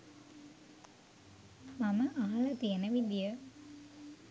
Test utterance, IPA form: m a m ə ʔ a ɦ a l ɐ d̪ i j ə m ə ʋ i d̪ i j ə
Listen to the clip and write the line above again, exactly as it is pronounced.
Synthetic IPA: m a m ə ʔ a ɦ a l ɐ t̪ i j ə n ə ʋ i d̪ i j ə

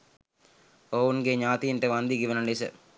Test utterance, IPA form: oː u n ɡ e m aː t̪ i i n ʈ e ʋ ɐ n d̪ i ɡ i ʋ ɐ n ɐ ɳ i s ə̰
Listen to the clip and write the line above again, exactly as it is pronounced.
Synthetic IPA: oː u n ɡ e ɲ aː t̪ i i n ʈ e ʋ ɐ n d̪ i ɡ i ʋ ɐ n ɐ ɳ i s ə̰

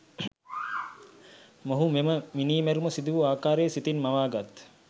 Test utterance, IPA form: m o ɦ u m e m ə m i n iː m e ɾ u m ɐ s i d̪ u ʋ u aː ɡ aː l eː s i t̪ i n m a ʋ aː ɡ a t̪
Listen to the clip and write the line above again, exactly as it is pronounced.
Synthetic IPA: m o ɦ u m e m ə m i n iː m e ɾ u m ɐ s i d̪ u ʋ u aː k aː ɾ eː s i t̪ i n m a ʋ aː ɡ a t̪

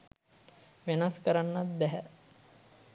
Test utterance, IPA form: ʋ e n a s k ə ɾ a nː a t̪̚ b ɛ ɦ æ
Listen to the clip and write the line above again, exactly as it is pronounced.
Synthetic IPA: ʋ e n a s k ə ɾ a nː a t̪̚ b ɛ ɦ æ

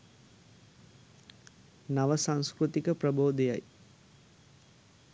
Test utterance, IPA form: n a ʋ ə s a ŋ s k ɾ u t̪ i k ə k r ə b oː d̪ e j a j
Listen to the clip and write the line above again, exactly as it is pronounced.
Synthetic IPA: n a ʋ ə s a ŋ s k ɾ u t̪ i k ə p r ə b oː d̪ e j a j

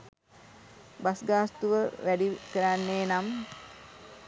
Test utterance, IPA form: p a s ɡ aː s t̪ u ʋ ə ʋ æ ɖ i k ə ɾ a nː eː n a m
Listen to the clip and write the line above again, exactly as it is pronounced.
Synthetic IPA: b a s ɡ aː s t̪ u ʋ ə ʋ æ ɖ i k ə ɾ a nː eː n a m

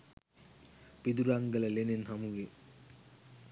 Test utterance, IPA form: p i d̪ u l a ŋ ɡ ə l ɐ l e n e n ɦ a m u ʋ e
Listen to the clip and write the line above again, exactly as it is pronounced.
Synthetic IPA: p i d̪ u ɾ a ŋ ɡ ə l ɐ l e n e n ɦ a m u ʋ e

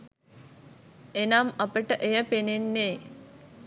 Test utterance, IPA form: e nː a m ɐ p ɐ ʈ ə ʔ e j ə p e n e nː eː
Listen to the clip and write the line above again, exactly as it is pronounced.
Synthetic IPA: e n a m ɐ p ə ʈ ə ʔ e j ə p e n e nː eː

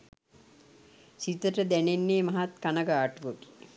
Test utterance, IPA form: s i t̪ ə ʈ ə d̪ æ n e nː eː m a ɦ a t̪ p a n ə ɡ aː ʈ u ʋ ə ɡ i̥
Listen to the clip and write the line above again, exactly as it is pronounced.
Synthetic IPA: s i t̪ ə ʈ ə d̪ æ n e nː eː m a ɦ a t̪ k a n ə ɡ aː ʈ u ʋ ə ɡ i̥

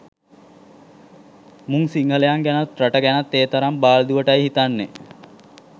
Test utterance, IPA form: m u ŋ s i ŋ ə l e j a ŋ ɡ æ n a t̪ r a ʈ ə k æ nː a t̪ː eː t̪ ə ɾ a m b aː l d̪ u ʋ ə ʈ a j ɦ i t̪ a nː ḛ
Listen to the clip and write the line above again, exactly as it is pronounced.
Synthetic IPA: m u ŋ s i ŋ ə l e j a ŋ ɡ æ n a t̪ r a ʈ ə ɡ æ n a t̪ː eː t̪ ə ɾ a m b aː l d̪ u ʋ ə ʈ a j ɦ i t̪ a nː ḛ

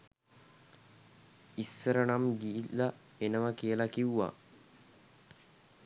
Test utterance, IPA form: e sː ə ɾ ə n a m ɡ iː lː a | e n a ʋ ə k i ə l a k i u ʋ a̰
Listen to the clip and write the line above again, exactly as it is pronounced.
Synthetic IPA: i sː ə ɾ ə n a m ɡ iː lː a | e n ə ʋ ə k i ə l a k i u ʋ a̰

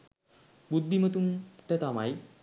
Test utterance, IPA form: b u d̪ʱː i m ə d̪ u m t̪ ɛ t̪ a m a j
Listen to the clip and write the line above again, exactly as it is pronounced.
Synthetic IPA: b u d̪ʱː i m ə t̪ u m t̪ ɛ t̪ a m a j

